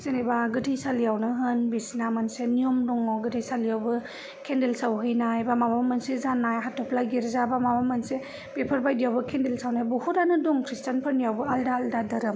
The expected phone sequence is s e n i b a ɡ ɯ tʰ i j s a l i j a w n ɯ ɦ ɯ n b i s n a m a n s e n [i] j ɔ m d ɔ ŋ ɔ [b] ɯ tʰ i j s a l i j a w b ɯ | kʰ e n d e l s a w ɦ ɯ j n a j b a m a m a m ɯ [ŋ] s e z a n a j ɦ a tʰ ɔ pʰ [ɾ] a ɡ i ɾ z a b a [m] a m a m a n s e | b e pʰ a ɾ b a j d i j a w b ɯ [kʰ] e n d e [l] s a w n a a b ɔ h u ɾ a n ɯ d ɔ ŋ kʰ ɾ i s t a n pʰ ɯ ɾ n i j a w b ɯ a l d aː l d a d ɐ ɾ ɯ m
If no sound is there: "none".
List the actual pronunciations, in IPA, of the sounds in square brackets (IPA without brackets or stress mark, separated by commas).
i, ɡ, n, l, m, kʰ, l